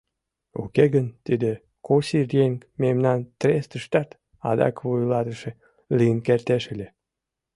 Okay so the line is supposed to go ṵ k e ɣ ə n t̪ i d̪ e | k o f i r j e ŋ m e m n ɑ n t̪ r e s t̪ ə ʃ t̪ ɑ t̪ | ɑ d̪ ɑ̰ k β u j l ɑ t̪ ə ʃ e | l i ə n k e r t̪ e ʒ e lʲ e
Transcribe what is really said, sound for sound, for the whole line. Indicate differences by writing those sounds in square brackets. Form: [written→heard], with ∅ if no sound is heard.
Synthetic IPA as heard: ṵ k e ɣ ə n t̪ i d̪ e | k o [f→s] i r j e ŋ m e m n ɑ n t̪ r e s t̪ ə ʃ t̪ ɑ t̪ | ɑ d̪ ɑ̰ k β u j l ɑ t̪ ə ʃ e | l i ə n k e r t̪ e [ʒ→ʃ] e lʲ e